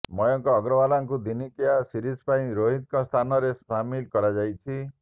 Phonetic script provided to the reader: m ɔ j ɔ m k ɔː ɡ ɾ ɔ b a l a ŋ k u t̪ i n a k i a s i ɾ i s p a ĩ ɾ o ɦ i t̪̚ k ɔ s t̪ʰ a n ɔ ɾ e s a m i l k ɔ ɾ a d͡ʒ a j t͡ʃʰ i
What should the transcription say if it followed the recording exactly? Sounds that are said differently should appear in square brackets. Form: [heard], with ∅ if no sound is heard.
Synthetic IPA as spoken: m ɔ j ɔ [ŋ] k ɔː ɡ ɾ ɔ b a l a ŋ k u [d̪] i n [i] k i a s i ɾ i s p a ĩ ɾ o ɦ i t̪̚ k ɔ s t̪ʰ a n ɔ ɾ e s a m i l k ɔ ɾ a d͡ʒ a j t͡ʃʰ i

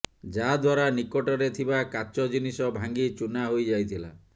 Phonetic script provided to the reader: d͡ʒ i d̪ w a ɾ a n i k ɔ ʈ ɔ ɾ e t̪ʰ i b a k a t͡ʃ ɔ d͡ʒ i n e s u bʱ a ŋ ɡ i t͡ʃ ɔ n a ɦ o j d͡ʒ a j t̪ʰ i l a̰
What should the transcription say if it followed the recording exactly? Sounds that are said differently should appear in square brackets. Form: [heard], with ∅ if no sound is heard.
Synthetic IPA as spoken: d͡ʒ [a] d̪ w a ɾ a n i k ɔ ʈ ɔ ɾ e t̪ʰ i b a k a t͡ʃ ɔ d͡ʒ i n [i] s [ɔ] bʱ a ŋ ɡ i t͡ʃ [u] n a ɦ o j d͡ʒ a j t̪ʰ i l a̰

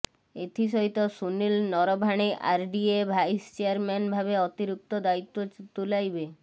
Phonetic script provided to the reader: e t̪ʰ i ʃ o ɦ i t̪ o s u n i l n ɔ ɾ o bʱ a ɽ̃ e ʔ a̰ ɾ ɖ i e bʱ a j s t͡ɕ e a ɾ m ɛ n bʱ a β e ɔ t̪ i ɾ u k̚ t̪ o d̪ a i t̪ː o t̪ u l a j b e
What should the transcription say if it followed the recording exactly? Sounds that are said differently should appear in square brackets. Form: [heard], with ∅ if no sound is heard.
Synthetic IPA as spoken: e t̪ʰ i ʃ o ɦ i t̪ o s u n i l n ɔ ɾ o bʱ a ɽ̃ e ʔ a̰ ɾ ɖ i e bʱ a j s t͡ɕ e a ɾ m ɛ n bʱ a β e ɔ t̪ i ɾ u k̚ t̪ o d̪ a i t̪ː o t̪ u l a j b e

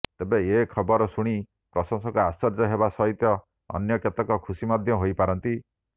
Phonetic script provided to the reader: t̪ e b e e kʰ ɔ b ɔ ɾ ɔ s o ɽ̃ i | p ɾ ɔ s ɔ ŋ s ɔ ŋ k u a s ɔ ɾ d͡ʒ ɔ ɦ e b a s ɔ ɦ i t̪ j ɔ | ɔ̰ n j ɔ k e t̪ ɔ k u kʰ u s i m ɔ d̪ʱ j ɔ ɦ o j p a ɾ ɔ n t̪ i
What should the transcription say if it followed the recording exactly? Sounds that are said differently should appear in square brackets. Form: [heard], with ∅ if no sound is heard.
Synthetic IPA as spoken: t̪ e b e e kʰ ɔ b ɔ ɾ ɔ s [u] ɽ̃ i | p ɾ ɔ s ɔ ŋ s ɔ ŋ k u a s ɔ ɾ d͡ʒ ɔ ɦ e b a s ɔ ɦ i t̪ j ɔ | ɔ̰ n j ɔ k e t̪ ɔ k [ɔ] kʰ u s i m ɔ d̪ʱ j ɔ ɦ o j p a ɾ ɔ n t̪ i

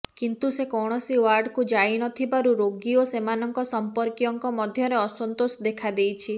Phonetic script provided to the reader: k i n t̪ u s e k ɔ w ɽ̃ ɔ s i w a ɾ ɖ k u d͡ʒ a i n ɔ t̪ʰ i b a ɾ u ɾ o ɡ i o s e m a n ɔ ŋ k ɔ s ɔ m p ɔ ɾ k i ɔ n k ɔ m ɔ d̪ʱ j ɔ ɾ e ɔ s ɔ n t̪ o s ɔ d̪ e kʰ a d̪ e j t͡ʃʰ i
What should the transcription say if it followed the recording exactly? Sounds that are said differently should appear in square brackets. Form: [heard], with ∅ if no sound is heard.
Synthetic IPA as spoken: k i n t̪ u s e k ɔ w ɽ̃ ɔ s i w a ɾ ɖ k u d͡ʒ a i n ɔ t̪ʰ i b a ɾ u ɾ o ɡ i o s e m a n ɔ ŋ k ɔ s ɔ m p ɔ ɾ k i ɔ [ŋ] k ɔ m ɔ d̪ʱ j ɔ ɾ e ɔ s ɔ n t̪ o s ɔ d̪ e kʰ a d̪ e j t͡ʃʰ i

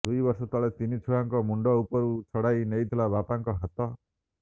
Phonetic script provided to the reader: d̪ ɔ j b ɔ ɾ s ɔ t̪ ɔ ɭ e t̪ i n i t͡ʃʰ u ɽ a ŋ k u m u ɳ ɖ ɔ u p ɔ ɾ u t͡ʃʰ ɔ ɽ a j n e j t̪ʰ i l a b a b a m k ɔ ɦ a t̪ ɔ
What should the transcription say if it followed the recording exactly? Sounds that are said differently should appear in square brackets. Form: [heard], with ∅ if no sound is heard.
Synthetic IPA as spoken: d̪ [u] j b ɔ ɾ s ɔ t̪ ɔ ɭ e t̪ i n i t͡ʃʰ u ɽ a ŋ k [ɔ] m u ɳ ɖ ɔ u p ɔ ɾ u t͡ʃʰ ɔ ɽ a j n e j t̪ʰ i l a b a [p] a [ŋ] k ɔ ɦ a t̪ ɔ

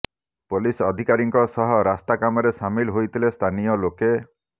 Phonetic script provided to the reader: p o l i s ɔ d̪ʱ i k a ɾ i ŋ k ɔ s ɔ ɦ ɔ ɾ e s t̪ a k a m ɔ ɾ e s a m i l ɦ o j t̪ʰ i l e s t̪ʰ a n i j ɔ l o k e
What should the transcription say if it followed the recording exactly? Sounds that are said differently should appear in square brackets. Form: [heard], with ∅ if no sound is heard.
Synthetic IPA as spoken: p o l i s ɔ d̪ʱ i k a ɾ i ŋ k ɔ s ɔ ɦ ɔ ɾ [a] s t̪ a k a m ɔ ɾ e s a m i l ɦ o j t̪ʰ i l e s t̪ʰ a n i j ɔ l o k e

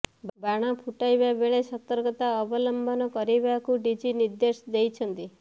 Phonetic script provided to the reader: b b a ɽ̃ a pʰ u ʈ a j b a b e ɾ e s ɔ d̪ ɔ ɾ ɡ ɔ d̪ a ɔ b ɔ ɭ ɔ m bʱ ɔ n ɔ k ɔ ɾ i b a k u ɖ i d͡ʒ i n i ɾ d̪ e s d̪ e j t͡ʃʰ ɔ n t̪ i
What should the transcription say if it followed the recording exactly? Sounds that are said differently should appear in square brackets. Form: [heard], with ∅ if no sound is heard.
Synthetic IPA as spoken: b b a ɽ̃ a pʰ u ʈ a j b a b e [ɭ] e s ɔ [t̪] ɔ ɾ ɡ ɔ [t̪] a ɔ b ɔ [l] ɔ m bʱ ɔ n ɔ k ɔ ɾ i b a k u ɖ i d͡ʒ i n i ɾ d̪ e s d̪ e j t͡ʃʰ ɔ n t̪ i

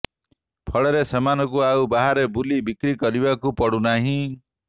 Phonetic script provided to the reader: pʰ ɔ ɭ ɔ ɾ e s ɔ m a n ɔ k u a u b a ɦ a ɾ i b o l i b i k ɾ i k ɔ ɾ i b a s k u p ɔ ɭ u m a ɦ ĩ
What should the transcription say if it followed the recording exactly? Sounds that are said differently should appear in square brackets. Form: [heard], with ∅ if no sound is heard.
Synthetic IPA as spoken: pʰ ɔ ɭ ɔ ɾ e s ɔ m a n ɔ k u a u b a ɦ a ɾ [e] b [u] l i b i k ɾ i k ɔ ɾ i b a [∅] k u p ɔ [ɽ] u [n] a ɦ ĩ

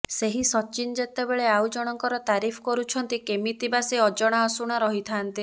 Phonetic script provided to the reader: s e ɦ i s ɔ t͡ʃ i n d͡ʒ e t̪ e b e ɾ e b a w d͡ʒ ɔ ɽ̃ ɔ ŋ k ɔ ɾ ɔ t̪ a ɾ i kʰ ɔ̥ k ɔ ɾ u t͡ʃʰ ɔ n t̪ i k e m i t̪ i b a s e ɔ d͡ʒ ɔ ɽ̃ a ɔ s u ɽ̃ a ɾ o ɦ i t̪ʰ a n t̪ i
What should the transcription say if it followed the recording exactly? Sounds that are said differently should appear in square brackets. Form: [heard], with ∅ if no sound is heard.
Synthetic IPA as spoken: s e ɦ i s ɔ t͡ʃ i n d͡ʒ e t̪ e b e [ɭ] e [∅] a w d͡ʒ ɔ ɽ̃ ɔ ŋ k ɔ ɾ ɔ t̪ a ɾ i [pʰ] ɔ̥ k ɔ ɾ u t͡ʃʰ ɔ n t̪ i k e m i t̪ i b a s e ɔ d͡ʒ ɔ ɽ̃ a ɔ s u ɽ̃ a ɾ [ɔ] ɦ i t̪ʰ a n t̪ i

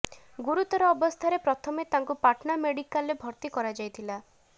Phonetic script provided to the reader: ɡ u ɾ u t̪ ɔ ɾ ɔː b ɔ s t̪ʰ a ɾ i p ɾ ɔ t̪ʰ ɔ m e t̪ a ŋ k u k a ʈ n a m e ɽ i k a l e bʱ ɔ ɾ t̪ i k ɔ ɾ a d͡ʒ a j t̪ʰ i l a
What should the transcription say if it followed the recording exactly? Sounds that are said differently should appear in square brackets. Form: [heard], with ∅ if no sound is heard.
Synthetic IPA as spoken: ɡ u ɾ u t̪ ɔ ɾ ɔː b ɔ s t̪ʰ a ɾ [e] p ɾ ɔ t̪ʰ ɔ m e t̪ a ŋ k u [p] a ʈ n a m e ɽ i k a l e bʱ ɔ ɾ t̪ i k ɔ ɾ a d͡ʒ a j t̪ʰ i l a

